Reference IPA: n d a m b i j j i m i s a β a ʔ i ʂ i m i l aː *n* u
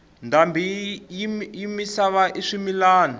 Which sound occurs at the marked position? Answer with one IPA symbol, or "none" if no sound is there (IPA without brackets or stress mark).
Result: n